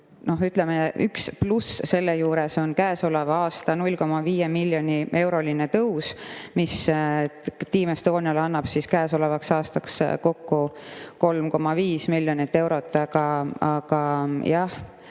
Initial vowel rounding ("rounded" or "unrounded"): rounded